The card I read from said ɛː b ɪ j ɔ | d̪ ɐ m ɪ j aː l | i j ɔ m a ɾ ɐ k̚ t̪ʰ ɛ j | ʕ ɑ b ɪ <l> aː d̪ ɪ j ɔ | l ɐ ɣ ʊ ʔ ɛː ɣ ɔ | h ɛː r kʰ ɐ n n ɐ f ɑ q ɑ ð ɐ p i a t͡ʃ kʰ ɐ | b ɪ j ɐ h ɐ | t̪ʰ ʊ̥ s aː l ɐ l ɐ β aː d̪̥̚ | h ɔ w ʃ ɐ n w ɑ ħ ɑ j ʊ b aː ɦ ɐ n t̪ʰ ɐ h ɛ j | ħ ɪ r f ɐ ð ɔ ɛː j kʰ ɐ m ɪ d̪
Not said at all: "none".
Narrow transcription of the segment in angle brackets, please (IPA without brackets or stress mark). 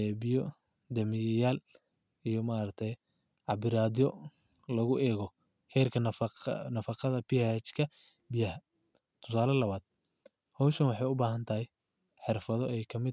ɾ